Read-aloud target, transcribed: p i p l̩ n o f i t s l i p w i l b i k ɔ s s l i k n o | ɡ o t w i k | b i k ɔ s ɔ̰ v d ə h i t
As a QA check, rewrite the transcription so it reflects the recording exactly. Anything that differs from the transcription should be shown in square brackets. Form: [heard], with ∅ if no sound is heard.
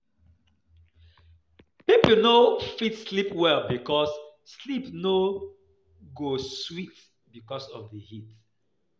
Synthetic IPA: p i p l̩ n o f i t s l i p w [ɛ] l b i k ɔ s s l i [p] n o | ɡ o [s] w i [t] | b i k ɔ s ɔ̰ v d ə h i t